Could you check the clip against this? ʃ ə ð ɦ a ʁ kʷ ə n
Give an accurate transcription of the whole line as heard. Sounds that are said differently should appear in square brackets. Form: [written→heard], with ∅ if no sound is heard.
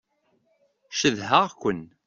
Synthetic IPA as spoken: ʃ ə ð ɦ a ʁ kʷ ə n